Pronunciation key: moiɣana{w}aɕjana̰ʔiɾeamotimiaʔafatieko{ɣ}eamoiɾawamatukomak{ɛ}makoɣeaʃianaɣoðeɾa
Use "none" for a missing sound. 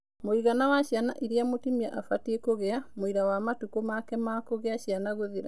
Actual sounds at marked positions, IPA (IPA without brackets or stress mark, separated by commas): w, ɣ, ɛ